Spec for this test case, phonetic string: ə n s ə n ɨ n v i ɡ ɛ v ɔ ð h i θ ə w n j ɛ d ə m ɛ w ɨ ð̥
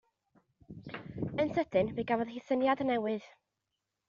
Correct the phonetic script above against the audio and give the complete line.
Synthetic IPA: ə n s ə d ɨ n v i ɡ a v ɔ ð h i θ ə n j a d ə n ɛ w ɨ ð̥